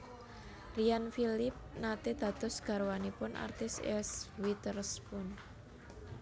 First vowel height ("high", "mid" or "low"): high